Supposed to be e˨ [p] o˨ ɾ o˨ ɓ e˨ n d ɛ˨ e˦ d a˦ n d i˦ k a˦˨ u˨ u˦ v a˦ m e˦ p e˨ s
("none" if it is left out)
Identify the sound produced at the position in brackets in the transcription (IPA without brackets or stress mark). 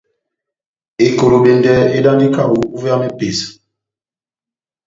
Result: k